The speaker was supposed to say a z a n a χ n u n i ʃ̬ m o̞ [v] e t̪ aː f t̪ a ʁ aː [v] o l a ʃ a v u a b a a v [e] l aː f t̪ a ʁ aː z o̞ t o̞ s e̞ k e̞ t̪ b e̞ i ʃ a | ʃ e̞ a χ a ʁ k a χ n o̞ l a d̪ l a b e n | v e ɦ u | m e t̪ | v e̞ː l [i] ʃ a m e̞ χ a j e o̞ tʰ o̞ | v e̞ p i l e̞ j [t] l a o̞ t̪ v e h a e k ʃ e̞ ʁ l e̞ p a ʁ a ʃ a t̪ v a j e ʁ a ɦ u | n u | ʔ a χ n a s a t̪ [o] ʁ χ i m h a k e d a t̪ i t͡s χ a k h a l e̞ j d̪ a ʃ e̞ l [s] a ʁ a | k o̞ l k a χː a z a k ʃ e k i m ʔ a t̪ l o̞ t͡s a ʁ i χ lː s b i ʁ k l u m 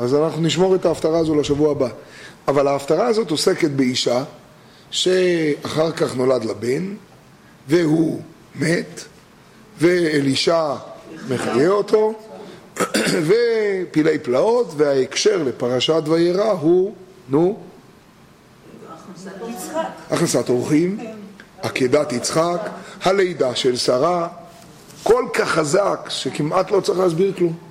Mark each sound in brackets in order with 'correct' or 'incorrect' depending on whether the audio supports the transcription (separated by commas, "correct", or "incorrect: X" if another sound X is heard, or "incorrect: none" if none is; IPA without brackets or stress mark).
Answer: incorrect: ʁ, incorrect: z, incorrect: a, correct, incorrect: p, correct, correct